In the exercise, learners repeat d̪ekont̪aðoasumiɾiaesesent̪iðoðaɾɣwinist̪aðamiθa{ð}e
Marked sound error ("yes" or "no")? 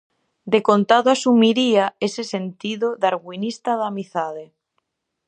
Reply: no